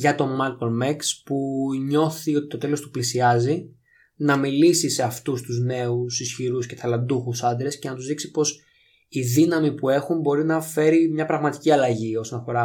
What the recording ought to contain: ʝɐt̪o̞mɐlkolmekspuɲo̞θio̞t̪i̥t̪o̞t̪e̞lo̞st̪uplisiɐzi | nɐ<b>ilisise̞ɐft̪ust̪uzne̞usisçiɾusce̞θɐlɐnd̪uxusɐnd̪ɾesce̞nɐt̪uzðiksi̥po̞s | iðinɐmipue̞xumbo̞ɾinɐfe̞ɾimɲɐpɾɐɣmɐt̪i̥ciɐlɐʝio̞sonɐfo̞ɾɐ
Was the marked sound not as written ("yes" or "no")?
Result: yes